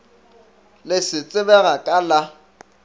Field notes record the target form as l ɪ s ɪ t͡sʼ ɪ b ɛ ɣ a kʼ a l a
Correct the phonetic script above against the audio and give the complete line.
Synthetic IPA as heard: l ɪ s ɪ t͡sʼ ɪ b ɛ ɣ a kʼ a l a